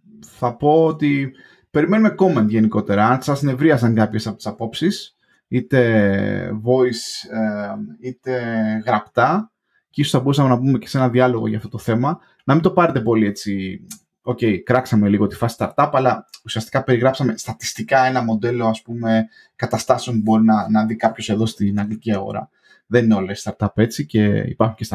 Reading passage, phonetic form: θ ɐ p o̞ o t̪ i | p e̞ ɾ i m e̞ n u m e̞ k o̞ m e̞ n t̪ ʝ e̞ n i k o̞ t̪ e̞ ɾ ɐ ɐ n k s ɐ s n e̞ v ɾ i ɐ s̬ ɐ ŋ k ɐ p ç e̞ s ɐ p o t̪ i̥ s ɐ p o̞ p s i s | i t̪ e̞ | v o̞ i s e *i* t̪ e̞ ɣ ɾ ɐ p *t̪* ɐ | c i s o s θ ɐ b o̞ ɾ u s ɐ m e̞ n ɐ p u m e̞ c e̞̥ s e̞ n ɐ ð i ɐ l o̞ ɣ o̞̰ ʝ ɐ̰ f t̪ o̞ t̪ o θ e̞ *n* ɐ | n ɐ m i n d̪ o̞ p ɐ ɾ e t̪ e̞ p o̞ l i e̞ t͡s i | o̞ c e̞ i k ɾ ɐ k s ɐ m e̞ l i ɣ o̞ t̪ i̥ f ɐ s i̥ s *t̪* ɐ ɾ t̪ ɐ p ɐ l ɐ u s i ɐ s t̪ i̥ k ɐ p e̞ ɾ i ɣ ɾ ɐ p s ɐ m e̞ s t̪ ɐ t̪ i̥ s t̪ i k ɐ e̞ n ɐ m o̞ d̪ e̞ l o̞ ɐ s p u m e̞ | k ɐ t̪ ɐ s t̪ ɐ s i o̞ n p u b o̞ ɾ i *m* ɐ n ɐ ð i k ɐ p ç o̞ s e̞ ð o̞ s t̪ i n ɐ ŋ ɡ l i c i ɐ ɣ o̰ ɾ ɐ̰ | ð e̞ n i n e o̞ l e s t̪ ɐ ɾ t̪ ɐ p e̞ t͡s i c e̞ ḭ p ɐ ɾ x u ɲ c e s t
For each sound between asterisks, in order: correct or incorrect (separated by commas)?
correct, correct, incorrect, correct, incorrect